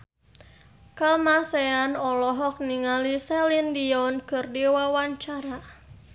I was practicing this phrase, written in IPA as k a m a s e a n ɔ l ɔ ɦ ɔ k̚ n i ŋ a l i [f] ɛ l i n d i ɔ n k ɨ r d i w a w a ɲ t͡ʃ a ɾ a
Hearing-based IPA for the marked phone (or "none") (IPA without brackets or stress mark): s